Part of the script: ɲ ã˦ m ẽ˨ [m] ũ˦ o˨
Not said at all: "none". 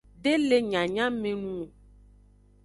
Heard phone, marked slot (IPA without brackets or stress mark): n